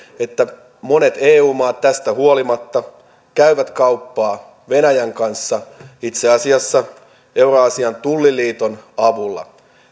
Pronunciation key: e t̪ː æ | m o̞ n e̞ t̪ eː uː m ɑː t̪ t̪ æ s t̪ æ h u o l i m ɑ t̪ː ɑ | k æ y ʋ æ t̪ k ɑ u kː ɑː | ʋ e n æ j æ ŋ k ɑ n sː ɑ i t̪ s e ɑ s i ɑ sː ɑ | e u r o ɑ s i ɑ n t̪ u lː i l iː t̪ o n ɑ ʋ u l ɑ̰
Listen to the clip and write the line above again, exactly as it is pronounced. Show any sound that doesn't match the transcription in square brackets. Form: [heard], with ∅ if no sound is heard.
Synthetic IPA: e t̪ː æ | m o̞ n e̞ t̪ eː uː m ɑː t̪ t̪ æ s t̪ æ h u o l i m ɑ t̪ː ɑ | k æ y ʋ æ t̪ k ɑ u [pː] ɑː | ʋ e n æ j æ ŋ k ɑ n sː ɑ i t̪ s e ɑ s i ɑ sː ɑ | e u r o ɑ s i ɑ n t̪ u lː i l iː t̪ o n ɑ ʋ u [lː] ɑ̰